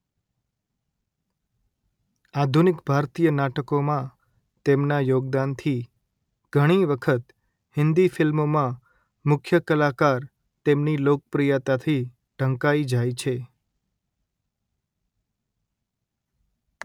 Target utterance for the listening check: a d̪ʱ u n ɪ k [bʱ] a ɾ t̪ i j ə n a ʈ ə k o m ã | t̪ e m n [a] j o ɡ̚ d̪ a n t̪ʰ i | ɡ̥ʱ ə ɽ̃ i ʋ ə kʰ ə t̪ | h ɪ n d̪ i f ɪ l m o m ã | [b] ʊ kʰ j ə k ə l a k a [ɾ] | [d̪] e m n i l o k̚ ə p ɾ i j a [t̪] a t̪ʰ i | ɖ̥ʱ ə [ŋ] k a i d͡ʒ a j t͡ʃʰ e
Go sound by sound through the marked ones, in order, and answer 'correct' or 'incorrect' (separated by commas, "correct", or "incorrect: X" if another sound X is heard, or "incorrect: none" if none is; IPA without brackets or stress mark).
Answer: correct, correct, incorrect: m, correct, incorrect: t̪, correct, correct